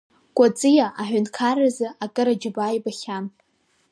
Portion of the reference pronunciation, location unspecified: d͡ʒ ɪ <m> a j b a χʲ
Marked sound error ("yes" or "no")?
yes